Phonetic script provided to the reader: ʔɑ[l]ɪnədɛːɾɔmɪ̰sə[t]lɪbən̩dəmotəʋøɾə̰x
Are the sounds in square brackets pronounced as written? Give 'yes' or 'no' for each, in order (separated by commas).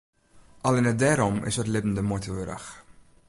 yes, yes